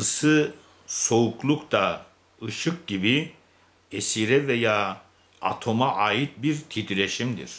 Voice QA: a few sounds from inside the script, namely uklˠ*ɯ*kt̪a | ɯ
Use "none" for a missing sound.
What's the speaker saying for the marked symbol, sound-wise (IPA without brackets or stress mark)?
u